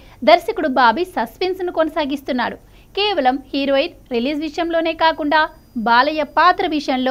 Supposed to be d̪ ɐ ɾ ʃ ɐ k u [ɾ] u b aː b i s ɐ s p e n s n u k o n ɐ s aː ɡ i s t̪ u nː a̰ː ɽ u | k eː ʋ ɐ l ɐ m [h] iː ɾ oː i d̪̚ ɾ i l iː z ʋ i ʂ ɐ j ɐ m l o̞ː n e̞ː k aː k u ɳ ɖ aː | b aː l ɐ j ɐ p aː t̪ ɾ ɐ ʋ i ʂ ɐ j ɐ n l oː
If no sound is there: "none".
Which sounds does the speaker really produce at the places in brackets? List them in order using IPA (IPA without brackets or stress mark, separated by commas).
ɽ, h